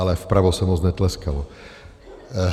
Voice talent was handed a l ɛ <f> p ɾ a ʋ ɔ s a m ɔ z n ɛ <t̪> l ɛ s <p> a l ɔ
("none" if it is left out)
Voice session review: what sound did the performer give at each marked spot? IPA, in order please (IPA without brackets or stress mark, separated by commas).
f, t̪, k